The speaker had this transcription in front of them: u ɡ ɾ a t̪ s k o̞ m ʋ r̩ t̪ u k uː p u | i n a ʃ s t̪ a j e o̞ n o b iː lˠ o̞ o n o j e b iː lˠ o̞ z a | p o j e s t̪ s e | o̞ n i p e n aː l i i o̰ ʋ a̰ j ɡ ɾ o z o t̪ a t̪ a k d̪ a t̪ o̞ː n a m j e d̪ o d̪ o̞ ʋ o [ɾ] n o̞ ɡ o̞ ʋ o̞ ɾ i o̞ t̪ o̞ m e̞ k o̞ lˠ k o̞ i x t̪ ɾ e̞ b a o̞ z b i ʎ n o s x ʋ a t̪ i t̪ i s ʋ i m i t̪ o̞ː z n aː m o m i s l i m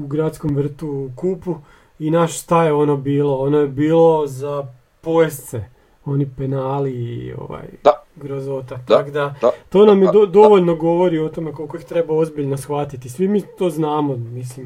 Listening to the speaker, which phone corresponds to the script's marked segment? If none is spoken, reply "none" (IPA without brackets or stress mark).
ʎ